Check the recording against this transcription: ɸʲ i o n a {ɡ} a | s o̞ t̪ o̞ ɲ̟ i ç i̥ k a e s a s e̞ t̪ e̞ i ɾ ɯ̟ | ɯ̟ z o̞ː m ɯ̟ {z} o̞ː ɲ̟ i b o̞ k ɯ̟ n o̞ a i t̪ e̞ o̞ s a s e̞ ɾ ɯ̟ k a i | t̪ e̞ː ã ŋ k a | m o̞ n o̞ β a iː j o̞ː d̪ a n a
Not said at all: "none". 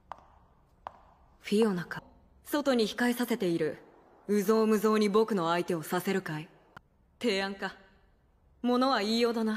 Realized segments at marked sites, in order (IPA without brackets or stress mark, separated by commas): k, z